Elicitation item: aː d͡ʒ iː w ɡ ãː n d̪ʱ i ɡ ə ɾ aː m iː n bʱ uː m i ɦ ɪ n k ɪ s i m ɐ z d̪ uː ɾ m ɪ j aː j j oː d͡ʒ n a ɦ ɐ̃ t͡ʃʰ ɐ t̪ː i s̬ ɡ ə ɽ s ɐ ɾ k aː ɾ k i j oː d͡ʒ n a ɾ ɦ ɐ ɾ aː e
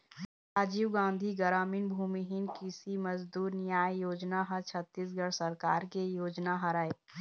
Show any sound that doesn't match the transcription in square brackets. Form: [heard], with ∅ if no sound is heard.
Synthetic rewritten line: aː d͡ʒ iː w ɡ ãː n d̪ʱ i ɡ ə ɾ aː m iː n bʱ uː m i ɦ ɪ n k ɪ s i m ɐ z d̪ uː ɾ [n] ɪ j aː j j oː d͡ʒ n a ɦ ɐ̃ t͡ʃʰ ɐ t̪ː i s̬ ɡ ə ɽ s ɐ ɾ k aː ɾ k [e] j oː d͡ʒ n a [∅] ɦ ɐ ɾ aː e